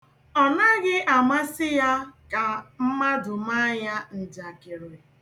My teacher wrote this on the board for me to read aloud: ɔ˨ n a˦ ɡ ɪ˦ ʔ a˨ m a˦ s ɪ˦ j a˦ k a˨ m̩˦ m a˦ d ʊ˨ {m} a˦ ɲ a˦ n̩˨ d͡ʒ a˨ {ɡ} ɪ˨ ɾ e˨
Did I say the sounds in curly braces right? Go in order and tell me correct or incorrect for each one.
correct, incorrect

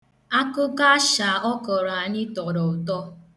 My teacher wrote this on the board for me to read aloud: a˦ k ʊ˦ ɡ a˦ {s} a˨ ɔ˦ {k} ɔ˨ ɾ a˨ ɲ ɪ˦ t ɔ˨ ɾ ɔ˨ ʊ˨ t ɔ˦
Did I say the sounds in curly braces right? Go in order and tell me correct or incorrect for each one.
incorrect, correct

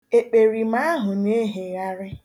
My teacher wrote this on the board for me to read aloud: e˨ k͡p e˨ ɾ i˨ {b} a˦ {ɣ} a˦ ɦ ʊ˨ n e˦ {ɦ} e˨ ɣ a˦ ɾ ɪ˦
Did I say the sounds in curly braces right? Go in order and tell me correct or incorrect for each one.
incorrect, incorrect, correct

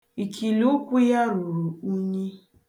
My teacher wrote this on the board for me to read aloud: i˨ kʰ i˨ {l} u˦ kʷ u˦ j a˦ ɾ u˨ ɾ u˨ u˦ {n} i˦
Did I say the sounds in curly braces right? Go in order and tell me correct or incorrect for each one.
correct, incorrect

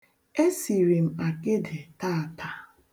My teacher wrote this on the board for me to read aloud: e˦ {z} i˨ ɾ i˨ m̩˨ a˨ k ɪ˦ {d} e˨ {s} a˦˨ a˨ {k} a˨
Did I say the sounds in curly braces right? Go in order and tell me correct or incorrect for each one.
incorrect, correct, incorrect, incorrect

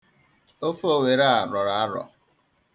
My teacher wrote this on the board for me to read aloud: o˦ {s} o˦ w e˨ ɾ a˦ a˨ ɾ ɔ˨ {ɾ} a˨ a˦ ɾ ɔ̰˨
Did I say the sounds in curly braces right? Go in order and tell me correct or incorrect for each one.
incorrect, correct

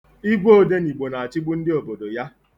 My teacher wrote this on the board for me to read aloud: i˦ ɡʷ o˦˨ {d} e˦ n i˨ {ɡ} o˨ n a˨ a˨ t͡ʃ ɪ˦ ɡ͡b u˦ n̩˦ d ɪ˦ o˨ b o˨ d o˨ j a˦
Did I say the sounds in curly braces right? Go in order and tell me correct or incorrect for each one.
correct, incorrect

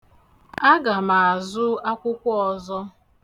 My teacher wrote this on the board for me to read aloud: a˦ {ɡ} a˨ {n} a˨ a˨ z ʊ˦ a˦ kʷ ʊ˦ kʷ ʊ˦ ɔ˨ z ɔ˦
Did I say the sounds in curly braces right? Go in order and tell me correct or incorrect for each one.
correct, incorrect

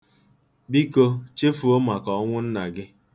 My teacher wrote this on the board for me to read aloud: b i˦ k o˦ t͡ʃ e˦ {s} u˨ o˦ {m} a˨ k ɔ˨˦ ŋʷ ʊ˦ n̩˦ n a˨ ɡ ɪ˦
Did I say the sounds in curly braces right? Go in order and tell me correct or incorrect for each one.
incorrect, correct

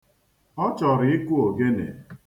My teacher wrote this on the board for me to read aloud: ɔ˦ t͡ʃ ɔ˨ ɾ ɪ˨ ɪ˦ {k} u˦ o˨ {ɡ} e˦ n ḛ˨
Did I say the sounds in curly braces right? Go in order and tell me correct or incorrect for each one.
correct, correct

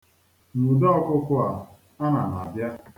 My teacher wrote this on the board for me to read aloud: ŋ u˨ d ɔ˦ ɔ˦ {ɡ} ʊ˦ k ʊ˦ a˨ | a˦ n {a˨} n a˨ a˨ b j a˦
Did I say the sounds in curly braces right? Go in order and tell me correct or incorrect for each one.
incorrect, correct

